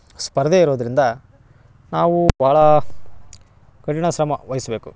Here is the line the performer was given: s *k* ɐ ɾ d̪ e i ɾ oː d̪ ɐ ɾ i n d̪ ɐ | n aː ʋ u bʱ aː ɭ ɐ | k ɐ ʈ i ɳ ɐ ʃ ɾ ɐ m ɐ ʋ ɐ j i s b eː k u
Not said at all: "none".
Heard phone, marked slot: p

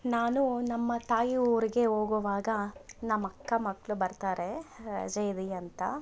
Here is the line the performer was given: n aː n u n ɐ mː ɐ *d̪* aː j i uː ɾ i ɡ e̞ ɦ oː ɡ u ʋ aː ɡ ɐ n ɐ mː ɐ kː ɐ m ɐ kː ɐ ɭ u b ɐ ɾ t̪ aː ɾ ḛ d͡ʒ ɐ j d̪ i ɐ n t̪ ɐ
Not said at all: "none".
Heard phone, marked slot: t̪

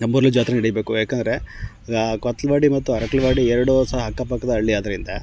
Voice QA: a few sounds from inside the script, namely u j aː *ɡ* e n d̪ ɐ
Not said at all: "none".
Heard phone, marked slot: k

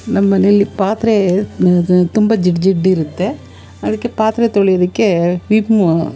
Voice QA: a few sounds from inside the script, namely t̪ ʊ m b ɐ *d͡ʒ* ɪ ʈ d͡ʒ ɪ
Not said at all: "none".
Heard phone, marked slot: d͡ʒ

